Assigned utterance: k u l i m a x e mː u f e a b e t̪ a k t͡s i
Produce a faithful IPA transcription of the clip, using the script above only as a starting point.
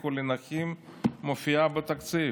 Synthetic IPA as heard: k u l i n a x i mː o f i a b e t̪ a k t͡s i